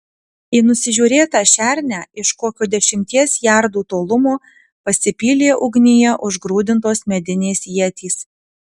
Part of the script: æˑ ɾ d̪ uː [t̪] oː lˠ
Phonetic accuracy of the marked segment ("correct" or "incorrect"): correct